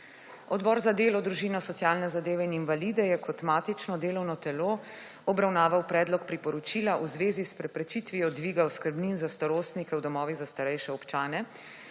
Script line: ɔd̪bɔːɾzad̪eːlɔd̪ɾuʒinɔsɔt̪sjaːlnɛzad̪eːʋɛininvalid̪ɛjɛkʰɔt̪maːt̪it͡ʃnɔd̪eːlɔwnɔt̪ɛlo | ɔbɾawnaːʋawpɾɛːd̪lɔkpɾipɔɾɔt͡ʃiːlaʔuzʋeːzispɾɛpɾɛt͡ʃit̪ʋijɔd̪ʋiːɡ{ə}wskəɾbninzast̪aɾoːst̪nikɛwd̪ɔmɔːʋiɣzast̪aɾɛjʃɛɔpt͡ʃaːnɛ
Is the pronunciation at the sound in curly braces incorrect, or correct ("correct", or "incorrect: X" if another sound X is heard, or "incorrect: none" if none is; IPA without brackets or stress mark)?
incorrect: a